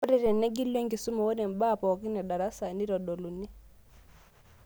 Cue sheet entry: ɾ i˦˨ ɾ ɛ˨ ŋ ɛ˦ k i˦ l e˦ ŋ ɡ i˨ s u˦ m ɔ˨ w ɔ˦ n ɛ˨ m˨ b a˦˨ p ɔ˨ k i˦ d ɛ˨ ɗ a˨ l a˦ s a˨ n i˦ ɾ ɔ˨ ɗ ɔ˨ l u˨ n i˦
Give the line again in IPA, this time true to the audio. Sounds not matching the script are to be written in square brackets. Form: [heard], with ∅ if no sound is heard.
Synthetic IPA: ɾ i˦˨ ɾ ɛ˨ [n] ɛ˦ [ɡ] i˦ l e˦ ŋ ɡ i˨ s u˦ m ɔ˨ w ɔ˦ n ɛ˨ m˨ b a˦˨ p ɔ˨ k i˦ [n] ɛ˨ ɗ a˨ [ɾ] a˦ s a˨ n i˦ ɾ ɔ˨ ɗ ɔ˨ l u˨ n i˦